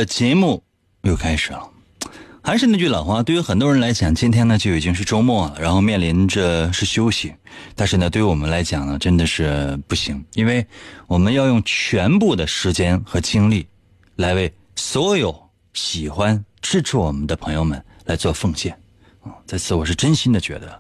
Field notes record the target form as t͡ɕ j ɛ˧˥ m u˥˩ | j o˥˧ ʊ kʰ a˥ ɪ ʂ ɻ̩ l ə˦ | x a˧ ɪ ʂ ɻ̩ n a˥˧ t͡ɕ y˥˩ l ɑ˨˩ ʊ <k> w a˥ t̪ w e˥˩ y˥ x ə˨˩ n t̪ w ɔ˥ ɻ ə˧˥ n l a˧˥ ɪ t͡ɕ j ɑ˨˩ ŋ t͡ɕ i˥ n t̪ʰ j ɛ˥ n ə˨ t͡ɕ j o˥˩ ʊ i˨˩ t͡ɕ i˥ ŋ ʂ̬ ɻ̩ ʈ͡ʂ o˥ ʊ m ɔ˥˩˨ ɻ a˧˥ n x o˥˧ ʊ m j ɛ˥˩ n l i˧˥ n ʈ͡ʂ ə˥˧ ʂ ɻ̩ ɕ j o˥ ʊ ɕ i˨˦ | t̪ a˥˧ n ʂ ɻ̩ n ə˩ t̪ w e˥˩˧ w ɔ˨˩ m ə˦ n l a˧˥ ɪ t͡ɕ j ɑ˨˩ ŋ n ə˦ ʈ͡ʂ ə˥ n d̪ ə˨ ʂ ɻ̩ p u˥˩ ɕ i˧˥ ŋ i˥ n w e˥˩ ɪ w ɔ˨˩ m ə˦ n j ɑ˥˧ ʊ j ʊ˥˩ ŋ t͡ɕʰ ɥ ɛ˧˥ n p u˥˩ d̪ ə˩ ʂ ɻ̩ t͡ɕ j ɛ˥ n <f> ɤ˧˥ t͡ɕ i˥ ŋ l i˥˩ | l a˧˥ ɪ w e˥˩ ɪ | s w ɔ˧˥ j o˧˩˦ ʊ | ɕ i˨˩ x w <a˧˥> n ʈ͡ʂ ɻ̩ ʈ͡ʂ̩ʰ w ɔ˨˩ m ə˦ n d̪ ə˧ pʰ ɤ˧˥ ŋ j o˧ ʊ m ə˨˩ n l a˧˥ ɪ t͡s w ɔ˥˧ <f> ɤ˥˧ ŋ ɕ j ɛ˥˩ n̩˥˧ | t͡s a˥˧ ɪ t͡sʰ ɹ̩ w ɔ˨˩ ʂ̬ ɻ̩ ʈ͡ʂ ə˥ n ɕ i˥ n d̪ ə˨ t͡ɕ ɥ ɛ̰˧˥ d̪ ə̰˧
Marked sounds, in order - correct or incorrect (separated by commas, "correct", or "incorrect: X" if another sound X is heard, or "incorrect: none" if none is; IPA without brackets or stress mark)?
incorrect: x, incorrect: x, incorrect: a˥, correct